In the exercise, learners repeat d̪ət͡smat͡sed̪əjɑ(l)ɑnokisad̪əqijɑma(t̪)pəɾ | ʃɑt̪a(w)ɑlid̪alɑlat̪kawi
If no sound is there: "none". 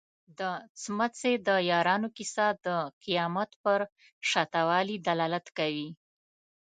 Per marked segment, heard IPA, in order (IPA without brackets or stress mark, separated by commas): ɾ, t̪, w